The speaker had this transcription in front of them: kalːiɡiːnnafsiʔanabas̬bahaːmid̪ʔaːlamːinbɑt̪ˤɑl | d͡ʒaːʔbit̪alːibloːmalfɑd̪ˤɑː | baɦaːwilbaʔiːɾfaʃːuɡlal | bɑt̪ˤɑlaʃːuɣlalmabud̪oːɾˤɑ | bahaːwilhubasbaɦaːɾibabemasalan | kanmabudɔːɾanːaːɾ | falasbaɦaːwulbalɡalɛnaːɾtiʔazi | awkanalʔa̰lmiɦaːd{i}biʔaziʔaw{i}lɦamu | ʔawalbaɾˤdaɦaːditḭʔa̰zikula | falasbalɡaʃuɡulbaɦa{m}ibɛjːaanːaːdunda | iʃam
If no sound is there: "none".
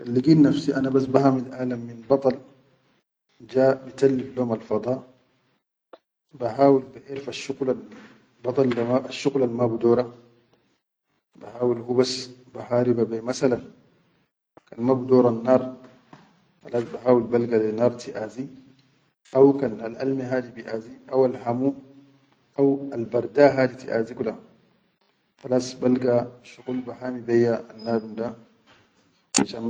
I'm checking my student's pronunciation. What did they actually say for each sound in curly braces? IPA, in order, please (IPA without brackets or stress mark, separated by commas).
i, a, m